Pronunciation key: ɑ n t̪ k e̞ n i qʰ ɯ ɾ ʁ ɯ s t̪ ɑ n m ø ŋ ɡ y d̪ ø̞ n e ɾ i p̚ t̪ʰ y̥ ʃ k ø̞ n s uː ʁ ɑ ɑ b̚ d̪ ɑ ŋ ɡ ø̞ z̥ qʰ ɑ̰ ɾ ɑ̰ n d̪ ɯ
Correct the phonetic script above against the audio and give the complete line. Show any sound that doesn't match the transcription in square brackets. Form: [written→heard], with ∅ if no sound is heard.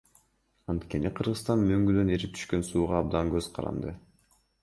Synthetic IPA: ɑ n t̪ k e̞ n i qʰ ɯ ɾ ʁ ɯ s t̪ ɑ n m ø ŋ ɡ y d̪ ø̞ n e ɾ i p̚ t̪ʰ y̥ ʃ k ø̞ n s uː ʁ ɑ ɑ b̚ d̪ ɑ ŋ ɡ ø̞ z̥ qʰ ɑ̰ ɾ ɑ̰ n d̪ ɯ